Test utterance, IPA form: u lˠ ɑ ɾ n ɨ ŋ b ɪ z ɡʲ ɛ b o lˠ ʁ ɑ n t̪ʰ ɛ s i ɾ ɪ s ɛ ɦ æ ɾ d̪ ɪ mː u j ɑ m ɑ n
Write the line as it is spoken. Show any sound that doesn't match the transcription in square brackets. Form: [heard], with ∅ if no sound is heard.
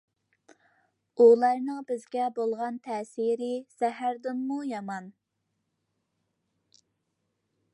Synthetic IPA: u lˠ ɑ ɾ n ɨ ŋ b ɪ z ɡʲ ɛ b o lˠ ʁ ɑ n t̪ʰ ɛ s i ɾ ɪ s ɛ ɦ æ ɾ d̪ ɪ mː u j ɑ m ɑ n